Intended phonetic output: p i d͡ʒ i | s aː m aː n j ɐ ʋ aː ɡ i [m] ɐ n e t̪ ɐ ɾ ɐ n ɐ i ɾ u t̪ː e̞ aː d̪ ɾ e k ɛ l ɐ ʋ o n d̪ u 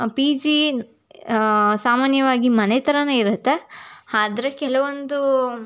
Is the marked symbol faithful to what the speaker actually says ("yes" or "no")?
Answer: yes